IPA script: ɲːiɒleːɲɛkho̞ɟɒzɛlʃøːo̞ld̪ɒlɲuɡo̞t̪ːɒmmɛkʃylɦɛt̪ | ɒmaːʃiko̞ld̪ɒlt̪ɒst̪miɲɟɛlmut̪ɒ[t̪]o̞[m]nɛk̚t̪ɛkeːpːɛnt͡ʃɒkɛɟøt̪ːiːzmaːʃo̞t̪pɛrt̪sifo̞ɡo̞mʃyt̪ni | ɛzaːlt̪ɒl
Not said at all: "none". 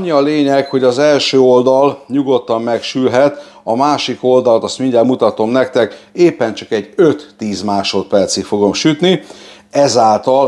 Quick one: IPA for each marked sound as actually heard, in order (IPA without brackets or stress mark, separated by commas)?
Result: t̪, m